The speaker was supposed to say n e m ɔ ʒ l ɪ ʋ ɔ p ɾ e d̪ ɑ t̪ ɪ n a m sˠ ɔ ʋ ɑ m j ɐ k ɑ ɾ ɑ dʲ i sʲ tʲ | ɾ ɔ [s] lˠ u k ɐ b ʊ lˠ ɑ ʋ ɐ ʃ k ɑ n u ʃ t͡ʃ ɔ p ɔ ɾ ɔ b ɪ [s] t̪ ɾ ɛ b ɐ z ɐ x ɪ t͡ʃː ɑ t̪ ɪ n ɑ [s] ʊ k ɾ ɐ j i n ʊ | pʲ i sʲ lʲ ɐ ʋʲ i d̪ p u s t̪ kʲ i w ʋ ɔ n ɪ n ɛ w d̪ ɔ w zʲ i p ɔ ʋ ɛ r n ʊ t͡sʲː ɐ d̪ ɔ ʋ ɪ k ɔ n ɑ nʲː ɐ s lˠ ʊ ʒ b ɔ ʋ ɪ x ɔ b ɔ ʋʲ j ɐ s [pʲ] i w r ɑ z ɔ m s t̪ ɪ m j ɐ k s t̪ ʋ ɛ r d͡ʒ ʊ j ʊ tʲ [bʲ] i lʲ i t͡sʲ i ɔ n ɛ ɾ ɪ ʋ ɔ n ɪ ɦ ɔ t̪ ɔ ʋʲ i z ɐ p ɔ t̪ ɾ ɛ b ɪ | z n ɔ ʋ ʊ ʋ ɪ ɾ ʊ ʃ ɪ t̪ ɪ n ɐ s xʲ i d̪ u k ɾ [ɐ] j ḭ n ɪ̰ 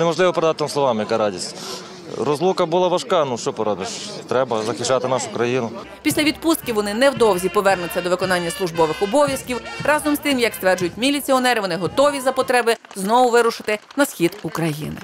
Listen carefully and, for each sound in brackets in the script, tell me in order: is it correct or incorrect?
incorrect: z, incorrect: ʃ, incorrect: ʃ, incorrect: kʲ, incorrect: mʲ, correct

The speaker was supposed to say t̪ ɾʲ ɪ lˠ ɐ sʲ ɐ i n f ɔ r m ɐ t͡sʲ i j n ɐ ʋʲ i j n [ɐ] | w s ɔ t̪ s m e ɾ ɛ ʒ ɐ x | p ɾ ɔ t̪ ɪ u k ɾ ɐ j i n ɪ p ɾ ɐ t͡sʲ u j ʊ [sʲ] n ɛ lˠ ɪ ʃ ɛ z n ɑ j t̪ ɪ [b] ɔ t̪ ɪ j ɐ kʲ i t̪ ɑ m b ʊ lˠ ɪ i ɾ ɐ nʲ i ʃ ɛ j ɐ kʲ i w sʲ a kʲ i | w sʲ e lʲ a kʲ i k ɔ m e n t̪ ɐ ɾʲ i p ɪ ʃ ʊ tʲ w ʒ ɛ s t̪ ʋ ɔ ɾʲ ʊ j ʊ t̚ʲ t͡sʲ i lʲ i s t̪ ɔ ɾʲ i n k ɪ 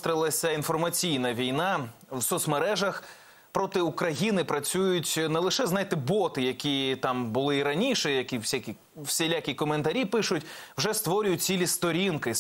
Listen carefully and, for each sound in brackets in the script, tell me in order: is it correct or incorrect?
incorrect: ɑ, incorrect: tʲ, correct

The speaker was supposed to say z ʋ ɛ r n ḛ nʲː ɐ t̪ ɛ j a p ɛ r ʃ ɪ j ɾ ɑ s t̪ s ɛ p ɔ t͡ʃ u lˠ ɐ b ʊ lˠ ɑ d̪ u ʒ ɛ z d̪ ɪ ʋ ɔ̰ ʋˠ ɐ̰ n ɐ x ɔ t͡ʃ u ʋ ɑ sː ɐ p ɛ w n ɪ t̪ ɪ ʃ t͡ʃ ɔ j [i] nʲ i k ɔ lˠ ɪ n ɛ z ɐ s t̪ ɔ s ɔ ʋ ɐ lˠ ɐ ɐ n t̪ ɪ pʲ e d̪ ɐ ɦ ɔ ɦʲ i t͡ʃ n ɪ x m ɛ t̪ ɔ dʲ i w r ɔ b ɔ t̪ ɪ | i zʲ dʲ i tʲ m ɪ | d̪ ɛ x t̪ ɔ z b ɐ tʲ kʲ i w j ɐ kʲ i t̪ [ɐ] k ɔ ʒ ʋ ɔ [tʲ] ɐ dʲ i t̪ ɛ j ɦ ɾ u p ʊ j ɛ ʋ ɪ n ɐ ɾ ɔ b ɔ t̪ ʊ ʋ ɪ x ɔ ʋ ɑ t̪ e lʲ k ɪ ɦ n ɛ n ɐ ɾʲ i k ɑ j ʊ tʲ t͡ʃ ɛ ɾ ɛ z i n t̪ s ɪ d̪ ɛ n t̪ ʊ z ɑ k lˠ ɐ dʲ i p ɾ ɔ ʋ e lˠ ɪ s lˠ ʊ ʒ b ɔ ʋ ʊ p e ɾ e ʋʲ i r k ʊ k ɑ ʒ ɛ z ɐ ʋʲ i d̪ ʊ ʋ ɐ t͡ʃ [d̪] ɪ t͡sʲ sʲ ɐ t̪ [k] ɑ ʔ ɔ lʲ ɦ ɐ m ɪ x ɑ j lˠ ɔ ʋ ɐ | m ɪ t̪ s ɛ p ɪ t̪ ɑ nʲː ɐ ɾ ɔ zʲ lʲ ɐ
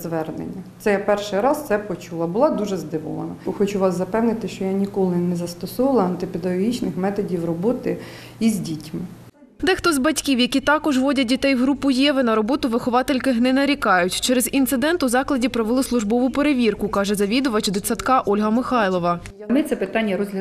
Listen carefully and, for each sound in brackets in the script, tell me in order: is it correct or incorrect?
incorrect: a, incorrect: ɑ, incorrect: dʲ, correct, correct

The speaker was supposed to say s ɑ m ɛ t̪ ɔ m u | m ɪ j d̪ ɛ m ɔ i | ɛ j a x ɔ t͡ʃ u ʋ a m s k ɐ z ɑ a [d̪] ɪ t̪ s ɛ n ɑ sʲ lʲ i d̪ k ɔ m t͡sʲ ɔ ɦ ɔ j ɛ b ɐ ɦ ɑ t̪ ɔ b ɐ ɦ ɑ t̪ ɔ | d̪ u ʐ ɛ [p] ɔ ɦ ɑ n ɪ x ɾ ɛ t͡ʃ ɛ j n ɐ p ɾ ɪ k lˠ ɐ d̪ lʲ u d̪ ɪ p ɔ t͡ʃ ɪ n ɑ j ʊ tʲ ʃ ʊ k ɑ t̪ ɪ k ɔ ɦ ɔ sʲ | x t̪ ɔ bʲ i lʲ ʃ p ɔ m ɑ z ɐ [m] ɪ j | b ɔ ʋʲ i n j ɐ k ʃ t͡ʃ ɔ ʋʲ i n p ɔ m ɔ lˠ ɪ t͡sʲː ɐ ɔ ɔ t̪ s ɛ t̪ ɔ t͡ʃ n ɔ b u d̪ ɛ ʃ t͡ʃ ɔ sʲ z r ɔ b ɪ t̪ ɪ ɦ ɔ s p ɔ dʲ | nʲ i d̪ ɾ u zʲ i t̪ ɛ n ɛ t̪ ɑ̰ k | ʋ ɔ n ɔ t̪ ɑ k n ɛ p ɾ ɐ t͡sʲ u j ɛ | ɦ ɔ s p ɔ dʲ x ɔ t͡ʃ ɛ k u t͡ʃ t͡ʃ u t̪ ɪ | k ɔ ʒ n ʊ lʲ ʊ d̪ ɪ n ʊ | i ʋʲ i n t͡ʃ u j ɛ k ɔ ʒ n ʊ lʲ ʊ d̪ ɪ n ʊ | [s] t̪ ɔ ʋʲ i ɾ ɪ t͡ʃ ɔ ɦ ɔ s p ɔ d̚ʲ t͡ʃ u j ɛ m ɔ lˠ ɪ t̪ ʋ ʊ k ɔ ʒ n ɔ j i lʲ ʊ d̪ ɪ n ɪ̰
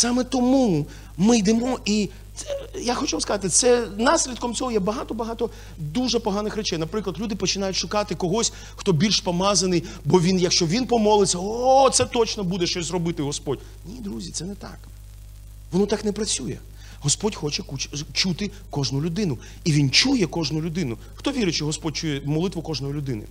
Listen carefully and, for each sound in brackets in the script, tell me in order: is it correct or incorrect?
incorrect: t̪, correct, incorrect: n, incorrect: x

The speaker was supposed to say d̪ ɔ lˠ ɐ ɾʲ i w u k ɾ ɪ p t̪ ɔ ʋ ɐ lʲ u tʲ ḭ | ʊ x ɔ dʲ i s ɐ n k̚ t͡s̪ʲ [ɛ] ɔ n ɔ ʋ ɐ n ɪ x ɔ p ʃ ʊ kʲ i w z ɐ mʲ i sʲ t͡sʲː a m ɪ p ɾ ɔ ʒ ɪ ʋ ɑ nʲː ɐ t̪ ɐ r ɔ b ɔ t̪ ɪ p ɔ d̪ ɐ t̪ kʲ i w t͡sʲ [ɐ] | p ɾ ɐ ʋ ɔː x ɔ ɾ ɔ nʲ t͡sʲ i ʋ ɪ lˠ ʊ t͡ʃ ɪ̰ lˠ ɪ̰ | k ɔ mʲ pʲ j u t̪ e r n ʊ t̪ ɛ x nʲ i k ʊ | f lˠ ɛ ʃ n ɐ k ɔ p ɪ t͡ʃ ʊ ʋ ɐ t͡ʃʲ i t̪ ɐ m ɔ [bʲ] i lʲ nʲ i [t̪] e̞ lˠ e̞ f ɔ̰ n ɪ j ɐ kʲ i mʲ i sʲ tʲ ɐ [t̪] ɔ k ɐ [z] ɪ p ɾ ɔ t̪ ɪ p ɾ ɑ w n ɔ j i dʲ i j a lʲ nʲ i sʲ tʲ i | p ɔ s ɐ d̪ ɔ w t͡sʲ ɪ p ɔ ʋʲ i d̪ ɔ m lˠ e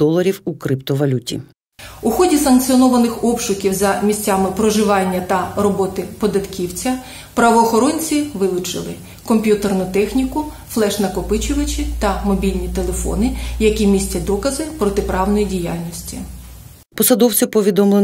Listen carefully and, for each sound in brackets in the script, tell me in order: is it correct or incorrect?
incorrect: i, correct, correct, correct, incorrect: d̪, correct

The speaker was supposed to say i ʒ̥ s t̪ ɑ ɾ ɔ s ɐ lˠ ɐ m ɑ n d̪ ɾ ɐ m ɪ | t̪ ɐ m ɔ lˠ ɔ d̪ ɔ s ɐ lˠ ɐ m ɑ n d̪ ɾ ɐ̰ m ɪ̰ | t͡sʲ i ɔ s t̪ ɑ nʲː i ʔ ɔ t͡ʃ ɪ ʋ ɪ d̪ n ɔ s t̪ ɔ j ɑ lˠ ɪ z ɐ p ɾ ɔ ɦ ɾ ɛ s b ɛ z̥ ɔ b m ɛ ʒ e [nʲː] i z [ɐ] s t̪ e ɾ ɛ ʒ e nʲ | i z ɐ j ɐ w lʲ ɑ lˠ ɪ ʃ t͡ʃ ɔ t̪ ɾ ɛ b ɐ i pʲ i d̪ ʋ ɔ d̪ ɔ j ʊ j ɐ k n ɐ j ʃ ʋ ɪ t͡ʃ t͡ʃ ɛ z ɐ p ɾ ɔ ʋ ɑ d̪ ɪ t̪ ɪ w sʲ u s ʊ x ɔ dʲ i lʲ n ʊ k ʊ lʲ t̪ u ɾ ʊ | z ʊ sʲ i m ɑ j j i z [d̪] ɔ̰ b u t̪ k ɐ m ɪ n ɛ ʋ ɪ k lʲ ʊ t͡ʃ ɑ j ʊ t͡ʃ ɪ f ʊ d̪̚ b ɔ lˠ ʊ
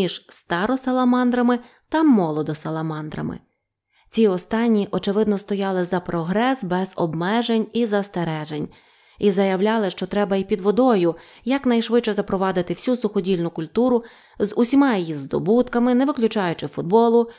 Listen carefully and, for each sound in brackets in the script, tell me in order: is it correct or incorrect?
incorrect: nʲ, correct, correct

